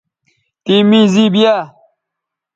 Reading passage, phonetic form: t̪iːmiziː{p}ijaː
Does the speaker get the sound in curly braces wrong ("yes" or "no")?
yes